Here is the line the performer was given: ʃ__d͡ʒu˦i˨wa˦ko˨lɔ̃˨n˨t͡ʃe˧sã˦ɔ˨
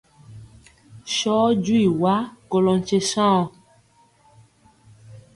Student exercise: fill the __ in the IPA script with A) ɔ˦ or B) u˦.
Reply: A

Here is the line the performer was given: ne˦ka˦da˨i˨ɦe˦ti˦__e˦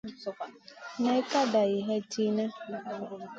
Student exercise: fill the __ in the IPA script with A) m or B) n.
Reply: B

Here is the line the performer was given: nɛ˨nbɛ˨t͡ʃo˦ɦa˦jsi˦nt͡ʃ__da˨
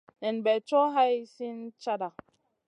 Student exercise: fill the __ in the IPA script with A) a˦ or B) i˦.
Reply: A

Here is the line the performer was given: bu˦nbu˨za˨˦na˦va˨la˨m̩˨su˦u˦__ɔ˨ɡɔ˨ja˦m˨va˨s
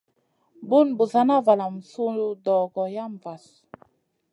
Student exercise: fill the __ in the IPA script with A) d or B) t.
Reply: A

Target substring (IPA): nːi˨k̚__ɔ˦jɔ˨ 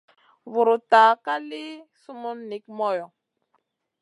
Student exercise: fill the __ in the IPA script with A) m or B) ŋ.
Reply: A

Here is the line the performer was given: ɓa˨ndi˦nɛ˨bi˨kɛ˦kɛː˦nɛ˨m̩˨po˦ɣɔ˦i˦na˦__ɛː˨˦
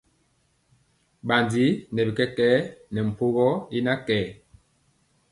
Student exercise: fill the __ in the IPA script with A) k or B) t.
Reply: A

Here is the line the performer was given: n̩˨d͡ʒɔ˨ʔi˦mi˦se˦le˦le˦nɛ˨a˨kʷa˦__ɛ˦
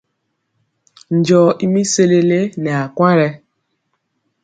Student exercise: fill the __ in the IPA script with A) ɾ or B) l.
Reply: A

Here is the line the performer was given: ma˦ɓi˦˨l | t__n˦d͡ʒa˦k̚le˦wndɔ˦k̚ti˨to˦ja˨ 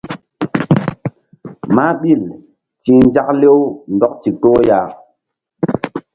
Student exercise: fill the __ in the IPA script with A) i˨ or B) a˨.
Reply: A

